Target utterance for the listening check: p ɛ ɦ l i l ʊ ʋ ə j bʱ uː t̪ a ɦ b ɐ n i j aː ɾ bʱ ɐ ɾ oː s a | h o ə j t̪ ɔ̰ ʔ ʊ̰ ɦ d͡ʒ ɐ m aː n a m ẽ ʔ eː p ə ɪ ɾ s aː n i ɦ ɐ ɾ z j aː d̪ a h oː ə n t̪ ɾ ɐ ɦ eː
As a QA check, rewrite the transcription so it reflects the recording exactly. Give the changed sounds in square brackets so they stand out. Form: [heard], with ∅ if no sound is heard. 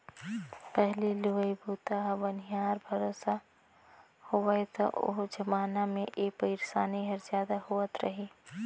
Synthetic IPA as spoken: p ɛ ɦ l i l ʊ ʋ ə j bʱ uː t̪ a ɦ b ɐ n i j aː ɾ bʱ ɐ ɾ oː s a | h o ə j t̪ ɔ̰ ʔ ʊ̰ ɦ d͡ʒ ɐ m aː n a m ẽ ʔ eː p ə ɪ ɾ s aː n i ɦ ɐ ɾ z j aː d̪ a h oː ə [∅] t̪ ɾ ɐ ɦ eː